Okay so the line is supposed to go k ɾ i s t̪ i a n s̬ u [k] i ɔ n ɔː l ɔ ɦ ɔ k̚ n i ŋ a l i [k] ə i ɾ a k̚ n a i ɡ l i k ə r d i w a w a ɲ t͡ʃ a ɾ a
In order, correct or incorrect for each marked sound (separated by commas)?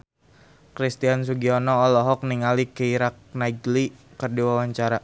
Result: incorrect, correct